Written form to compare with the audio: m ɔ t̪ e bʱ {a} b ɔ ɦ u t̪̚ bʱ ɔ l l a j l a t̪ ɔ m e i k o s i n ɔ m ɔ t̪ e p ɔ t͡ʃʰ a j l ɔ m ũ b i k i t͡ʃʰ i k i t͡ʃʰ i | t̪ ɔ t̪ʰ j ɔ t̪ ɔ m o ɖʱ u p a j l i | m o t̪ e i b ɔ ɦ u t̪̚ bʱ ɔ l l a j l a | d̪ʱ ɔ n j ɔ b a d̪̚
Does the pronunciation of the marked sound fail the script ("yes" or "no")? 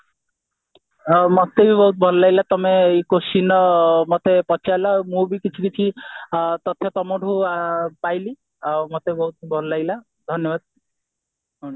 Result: yes